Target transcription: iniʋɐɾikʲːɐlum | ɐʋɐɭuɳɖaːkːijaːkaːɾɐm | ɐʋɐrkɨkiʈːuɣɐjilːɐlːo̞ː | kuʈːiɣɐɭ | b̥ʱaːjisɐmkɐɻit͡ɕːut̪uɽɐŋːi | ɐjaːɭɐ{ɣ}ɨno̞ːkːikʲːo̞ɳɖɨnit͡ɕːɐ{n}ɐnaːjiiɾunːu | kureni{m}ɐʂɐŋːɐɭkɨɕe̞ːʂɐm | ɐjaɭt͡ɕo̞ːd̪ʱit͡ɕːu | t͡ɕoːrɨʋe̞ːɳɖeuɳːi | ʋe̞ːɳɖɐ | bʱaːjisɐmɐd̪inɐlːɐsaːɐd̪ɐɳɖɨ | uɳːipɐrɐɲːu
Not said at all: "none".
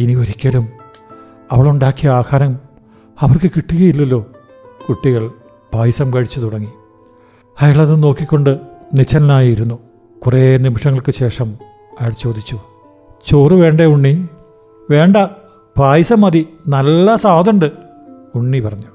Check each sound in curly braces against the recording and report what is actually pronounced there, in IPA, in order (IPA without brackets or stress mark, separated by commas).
ð, n, m